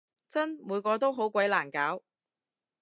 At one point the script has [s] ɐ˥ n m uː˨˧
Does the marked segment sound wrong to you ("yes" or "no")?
yes